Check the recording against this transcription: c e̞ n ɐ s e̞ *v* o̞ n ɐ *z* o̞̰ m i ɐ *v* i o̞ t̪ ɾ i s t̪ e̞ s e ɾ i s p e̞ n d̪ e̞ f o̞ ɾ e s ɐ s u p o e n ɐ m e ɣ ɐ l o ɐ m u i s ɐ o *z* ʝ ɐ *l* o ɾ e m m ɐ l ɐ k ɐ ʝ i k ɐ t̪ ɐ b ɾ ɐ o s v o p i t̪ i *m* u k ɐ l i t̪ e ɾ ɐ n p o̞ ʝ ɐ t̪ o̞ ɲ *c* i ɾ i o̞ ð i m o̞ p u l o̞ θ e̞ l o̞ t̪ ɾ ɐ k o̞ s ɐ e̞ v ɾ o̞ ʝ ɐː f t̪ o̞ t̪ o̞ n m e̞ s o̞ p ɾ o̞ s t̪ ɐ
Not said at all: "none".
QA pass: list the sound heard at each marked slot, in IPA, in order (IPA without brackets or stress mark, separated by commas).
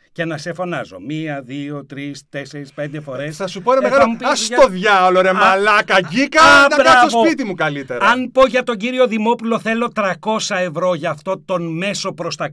f, z, ð, ð, l, m, ɟ